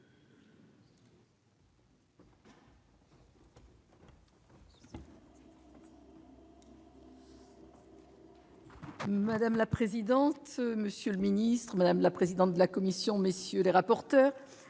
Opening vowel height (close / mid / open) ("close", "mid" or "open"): open